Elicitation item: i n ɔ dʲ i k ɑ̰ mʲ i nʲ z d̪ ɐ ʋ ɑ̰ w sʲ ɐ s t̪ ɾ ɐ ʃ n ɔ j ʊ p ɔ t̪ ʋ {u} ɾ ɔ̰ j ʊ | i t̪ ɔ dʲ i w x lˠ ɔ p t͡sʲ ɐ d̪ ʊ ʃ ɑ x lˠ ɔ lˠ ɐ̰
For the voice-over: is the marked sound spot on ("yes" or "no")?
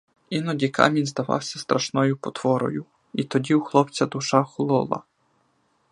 no